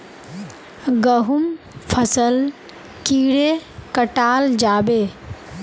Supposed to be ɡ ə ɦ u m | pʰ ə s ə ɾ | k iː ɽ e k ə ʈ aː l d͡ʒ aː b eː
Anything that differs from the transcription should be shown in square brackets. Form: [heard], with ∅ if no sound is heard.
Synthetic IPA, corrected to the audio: ɡ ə ɦ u m | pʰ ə s ə [l] | k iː ɽ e k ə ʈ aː l d͡ʒ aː b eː